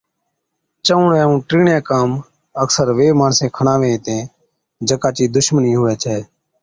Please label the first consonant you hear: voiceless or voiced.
voiceless